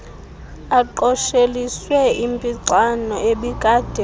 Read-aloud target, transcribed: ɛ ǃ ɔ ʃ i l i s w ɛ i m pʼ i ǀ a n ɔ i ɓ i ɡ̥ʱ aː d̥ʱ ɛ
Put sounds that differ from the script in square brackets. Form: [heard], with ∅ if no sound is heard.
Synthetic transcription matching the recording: [a] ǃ ɔ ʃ [e] l i s w ɛ i m pʼ i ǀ a n ɔ [e] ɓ i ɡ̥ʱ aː d̥ʱ ɛ